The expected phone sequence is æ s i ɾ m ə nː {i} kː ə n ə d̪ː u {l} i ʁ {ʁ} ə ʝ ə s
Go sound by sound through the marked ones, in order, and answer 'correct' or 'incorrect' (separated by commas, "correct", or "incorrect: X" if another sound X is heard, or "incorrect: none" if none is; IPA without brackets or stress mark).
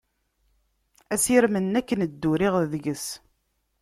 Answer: incorrect: æ, incorrect: ɾ, incorrect: ð